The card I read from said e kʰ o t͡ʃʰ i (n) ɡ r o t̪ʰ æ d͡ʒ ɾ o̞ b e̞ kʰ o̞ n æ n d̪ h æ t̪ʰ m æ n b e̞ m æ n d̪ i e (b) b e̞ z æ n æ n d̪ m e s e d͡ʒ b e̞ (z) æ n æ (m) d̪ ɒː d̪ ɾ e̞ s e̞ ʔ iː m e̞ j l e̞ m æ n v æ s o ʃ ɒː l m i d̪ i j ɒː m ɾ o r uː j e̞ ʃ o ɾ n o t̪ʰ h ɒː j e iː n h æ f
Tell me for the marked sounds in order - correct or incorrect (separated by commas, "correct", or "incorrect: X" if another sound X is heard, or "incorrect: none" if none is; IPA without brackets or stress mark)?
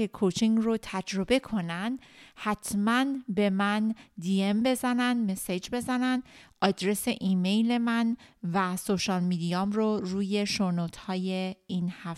incorrect: ŋ, incorrect: m, correct, incorrect: n